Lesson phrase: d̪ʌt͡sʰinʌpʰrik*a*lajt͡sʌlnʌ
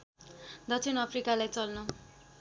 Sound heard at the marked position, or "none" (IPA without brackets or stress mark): a